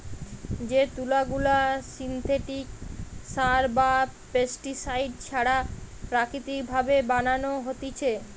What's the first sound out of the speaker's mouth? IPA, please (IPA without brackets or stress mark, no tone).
d͡ʑ